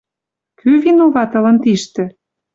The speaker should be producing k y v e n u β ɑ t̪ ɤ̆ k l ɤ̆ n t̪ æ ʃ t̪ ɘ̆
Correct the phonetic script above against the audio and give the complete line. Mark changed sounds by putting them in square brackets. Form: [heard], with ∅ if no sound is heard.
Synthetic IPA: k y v [i] n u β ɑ t̪ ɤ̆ [∅] l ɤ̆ n t̪ [i] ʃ t̪ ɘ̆